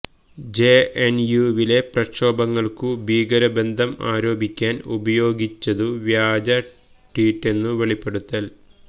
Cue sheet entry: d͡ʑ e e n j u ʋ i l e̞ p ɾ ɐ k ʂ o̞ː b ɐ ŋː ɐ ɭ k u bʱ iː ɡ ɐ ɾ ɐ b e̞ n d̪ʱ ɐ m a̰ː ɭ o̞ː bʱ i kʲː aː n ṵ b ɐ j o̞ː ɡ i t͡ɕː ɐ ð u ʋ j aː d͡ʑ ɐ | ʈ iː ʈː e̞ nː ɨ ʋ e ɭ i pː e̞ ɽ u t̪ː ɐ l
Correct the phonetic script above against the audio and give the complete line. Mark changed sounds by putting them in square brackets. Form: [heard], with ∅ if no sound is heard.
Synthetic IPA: d͡ʑ e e n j u ʋ i l e̞ p [r] ɐ k ʂ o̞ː b ɐ ŋː ɐ ɭ k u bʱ iː ɡ ɐ ɾ ɐ b e̞ n d̪ʱ ɐ m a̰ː [ɾ] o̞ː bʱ i kʲː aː n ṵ b ɐ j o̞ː ɡ i t͡ɕː ɐ ð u ʋ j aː d͡ʑ ɐ | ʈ iː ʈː e̞ nː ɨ ʋ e ɭ i pː e̞ ɽ u t̪ː ɐ l